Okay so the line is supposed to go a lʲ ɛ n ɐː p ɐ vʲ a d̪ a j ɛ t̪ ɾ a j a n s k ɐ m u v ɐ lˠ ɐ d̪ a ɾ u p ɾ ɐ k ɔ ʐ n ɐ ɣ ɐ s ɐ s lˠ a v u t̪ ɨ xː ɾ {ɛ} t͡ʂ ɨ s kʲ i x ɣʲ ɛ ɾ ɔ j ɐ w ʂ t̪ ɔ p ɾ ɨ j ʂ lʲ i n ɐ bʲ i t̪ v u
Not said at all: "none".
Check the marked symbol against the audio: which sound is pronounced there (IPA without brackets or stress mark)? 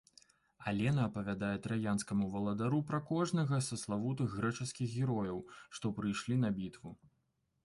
ɛ